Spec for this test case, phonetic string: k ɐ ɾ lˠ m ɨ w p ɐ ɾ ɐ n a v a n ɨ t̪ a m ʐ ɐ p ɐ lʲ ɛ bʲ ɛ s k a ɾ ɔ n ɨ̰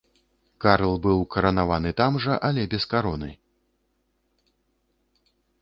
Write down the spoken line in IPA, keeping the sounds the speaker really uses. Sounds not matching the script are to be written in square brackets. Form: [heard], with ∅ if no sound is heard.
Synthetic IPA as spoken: k [a] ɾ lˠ [b] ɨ w [k] ɐ ɾ ɐ n a v a n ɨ t̪ a m ʐ ɐ [ʔ] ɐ lʲ ɛ bʲ ɛ s k a ɾ ɔ n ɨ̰